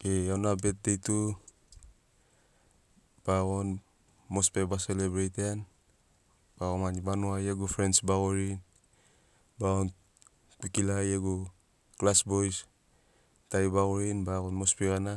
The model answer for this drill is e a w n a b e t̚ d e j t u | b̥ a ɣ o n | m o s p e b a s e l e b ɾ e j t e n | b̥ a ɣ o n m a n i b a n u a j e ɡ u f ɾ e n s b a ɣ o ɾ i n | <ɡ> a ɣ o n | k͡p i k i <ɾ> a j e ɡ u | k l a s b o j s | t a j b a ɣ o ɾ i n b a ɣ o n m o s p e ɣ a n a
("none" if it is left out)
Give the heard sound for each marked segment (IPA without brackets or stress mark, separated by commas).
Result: b, l